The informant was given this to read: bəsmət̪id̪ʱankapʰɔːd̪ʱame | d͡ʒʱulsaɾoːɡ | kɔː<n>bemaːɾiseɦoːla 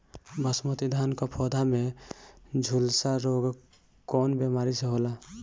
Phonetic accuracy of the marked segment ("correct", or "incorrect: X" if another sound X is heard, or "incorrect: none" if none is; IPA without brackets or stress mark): correct